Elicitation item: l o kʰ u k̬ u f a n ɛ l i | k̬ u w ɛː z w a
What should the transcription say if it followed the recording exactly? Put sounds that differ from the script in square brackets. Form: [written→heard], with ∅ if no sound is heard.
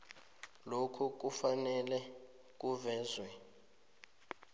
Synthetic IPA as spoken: l o kʰ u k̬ u f a n ɛ l [i→ɛ] | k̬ u [w→v] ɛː z w [a→ɛ]